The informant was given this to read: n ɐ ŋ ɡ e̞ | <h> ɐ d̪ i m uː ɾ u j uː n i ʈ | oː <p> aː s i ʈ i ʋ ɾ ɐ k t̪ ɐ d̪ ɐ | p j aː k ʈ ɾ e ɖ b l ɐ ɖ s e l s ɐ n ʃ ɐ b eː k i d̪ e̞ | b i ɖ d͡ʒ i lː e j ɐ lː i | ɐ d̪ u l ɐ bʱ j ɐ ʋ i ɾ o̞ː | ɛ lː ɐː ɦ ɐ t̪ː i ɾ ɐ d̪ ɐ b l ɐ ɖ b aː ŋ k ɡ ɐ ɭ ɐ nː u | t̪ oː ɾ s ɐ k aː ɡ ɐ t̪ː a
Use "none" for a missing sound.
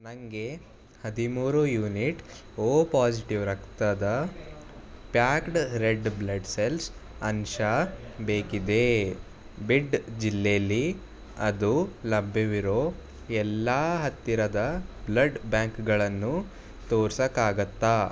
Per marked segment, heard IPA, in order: h, p

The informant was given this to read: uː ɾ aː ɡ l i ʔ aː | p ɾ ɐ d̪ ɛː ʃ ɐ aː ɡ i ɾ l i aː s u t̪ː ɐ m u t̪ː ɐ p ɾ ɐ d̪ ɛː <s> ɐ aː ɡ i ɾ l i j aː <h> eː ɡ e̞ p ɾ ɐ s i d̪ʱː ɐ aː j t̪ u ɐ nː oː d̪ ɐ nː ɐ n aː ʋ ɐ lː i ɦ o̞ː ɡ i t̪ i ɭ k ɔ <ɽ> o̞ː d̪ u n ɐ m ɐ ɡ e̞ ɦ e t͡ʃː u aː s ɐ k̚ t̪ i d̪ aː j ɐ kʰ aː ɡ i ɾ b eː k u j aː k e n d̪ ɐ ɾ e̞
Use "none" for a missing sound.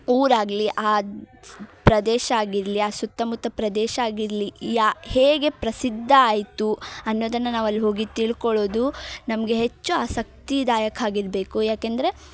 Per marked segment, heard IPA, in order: ʃ, h, ɭ

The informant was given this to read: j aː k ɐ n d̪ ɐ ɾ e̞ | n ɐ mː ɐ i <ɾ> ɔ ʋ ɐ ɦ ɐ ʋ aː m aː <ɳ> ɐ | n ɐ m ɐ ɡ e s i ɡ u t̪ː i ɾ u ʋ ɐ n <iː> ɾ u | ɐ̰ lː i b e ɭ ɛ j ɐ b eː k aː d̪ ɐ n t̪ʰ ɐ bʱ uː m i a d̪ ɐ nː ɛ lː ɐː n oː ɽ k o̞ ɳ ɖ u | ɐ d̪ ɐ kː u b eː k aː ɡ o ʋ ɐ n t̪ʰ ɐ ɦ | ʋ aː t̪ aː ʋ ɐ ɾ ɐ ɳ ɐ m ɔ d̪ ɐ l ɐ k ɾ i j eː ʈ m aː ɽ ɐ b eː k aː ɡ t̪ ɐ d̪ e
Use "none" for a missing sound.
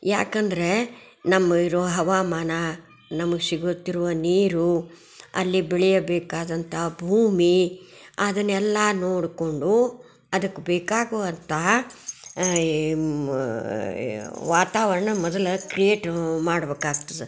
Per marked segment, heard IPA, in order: ɾ, n, iː

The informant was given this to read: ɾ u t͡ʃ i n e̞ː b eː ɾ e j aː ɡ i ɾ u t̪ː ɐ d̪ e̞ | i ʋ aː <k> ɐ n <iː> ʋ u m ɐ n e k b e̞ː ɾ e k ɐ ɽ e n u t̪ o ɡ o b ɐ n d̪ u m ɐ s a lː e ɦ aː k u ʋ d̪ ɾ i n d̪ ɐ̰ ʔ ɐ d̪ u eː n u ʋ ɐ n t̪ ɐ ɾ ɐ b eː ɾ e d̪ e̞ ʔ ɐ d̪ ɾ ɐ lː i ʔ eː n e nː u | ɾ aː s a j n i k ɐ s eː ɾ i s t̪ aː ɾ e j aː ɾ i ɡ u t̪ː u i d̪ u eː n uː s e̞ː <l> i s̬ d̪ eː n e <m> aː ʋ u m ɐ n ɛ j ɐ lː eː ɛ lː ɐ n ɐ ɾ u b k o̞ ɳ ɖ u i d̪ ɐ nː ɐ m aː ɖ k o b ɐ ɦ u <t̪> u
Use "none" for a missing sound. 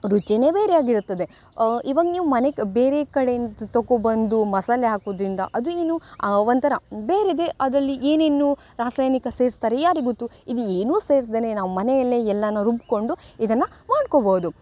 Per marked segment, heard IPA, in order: ɡ, iː, ɾ, n, d̪

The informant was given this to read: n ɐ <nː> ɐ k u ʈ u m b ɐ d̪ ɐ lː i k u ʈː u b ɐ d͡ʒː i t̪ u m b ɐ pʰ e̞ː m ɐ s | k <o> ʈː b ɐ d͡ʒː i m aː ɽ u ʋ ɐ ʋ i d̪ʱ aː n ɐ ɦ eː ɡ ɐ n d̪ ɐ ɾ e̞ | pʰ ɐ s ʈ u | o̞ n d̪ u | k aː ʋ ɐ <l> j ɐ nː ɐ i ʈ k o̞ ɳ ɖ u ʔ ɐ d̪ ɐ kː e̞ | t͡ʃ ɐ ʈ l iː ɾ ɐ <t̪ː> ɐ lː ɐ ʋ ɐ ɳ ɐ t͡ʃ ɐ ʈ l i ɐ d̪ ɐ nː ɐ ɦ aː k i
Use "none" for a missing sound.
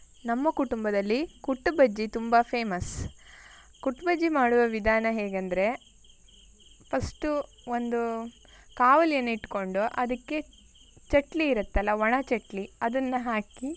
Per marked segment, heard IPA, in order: mː, u, l, t̪ː

